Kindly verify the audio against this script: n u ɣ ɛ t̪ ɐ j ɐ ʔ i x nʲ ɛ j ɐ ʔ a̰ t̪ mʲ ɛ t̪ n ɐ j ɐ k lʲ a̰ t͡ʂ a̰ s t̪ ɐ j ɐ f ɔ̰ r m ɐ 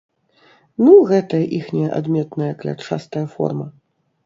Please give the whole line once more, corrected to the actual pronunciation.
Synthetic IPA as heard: n u ɣ ɛ t̪ ɐ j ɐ ʔ i x nʲ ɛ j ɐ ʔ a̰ d̪ mʲ ɛ t̪ n ɐ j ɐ k lʲ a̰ t͡ʂ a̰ s t̪ ɐ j ɐ f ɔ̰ r m ɐ